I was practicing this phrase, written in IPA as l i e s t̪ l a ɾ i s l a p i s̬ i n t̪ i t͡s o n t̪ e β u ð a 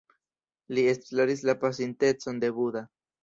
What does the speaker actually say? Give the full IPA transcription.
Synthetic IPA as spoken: l i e s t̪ l a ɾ i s l a p a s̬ i n t̪ e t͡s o n d̪ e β u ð a